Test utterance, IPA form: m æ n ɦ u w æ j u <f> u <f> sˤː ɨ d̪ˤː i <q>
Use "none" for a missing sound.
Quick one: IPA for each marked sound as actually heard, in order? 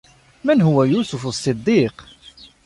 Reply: s, f, q

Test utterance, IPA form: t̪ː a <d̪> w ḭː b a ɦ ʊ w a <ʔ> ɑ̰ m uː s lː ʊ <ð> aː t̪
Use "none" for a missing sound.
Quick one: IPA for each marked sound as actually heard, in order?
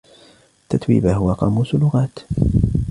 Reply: t̪, q, ɣ

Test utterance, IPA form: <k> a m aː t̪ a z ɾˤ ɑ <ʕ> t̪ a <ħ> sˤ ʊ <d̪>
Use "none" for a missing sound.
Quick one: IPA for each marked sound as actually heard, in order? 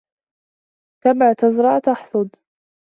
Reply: k, ʕ, ħ, d̪

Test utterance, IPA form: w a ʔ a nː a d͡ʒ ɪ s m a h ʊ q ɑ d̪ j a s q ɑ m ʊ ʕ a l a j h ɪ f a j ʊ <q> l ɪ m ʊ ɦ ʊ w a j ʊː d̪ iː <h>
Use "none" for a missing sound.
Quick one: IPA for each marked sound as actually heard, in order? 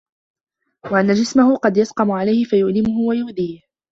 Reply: ʔ, h

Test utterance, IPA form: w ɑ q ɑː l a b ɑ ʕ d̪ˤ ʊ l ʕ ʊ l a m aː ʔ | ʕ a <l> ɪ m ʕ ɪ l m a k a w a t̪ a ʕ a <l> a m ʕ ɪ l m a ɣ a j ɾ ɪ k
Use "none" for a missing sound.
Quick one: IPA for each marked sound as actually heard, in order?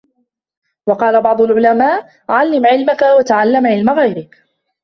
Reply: lː, lː

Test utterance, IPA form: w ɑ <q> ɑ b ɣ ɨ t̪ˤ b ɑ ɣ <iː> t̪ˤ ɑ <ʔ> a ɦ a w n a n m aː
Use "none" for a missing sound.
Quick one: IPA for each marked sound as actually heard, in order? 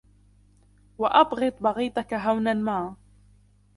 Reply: ʔ, iː, k

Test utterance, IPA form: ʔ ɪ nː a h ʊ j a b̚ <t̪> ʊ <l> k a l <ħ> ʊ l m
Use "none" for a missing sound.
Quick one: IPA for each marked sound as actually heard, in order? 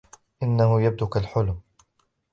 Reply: d̪, none, ħ

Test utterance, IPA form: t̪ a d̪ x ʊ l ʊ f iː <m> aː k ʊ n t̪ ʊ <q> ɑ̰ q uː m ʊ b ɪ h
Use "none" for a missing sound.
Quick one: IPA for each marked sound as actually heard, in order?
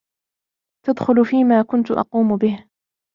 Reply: m, ʔ

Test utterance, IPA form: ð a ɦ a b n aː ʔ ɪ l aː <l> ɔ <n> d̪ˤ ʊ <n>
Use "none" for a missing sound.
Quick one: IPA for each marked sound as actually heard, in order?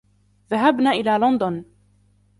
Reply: l, n, n

